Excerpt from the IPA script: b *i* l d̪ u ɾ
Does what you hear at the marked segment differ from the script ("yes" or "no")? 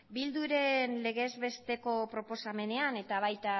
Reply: no